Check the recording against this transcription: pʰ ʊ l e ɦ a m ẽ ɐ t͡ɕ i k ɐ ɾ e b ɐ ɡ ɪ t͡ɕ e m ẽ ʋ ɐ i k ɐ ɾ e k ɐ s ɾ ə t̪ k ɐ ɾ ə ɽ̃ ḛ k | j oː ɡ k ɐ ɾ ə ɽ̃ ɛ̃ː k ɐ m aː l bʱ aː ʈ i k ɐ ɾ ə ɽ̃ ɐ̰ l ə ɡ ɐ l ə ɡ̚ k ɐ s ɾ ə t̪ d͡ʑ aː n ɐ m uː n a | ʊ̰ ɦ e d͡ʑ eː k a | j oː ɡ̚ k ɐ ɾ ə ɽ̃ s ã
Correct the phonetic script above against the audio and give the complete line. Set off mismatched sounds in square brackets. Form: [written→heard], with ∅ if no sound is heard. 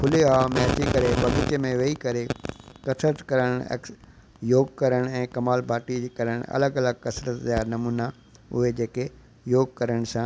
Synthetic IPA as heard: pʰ ʊ l e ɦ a m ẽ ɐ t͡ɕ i k ɐ ɾ e b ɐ ɡ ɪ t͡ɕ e m ẽ ʋ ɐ i k ɐ ɾ e k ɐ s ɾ ə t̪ k ɐ ɾ ə ɽ̃ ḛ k | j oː ɡ k ɐ ɾ ə ɽ̃ ɛ̃ː k ɐ m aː l bʱ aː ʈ i k ɐ ɾ ə ɽ̃ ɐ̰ l ə ɡ ɐ l ə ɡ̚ k ɐ s ɾ ə t̪ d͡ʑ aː n ɐ m uː n a | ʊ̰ ɦ e d͡ʑ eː k [a→e] | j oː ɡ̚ k ɐ ɾ ə ɽ̃ s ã